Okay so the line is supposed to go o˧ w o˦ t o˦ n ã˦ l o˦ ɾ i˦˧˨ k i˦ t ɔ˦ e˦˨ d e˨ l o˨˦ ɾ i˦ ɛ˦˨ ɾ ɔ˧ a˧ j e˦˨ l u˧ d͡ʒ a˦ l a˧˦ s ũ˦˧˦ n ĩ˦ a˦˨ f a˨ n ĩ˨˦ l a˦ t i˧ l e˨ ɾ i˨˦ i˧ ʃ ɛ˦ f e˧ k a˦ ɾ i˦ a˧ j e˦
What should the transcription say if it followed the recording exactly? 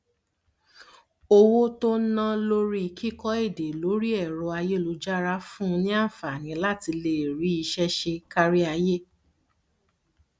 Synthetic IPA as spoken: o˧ w o˦ t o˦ n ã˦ l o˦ ɾ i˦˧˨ k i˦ k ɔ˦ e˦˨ d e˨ l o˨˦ ɾ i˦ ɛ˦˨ ɾ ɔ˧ a˧ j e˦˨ l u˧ d͡ʒ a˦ ɾ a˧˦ f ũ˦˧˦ n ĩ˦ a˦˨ f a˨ n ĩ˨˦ l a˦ t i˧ l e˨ ɾ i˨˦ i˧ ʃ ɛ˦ ʃ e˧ k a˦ ɾ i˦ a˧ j e˦